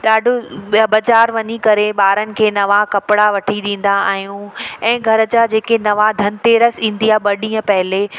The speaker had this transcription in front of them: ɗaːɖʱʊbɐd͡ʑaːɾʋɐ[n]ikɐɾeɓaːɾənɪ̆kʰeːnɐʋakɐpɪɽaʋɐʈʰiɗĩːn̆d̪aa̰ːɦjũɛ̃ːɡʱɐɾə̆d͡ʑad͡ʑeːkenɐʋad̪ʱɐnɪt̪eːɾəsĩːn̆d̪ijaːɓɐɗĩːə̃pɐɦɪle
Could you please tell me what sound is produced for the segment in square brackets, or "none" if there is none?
ɲ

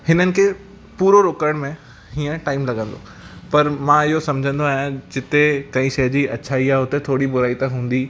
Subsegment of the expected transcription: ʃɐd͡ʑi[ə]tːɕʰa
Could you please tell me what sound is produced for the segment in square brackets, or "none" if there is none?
ɐ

